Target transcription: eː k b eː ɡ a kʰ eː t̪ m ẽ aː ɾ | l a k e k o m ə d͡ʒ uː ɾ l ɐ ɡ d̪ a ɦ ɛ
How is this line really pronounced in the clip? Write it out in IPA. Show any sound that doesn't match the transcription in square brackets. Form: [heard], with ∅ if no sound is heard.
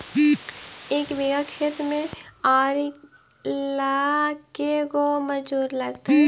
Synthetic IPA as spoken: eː k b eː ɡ a kʰ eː t̪ m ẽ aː ɾ | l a k e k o m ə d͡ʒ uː ɾ l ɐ ɡ [t̪] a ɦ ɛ